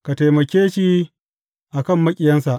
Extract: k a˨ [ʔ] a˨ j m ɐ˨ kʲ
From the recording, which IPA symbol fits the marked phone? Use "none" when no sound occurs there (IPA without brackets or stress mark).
t